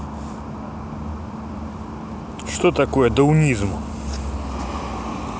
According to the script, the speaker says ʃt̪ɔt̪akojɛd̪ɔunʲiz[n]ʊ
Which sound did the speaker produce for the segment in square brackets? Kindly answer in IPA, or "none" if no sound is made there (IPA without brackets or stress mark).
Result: m